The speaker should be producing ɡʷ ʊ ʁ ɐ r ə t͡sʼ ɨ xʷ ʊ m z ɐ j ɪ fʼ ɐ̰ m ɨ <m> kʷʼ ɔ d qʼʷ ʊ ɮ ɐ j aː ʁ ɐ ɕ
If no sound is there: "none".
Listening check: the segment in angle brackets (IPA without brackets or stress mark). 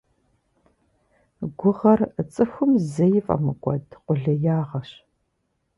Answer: none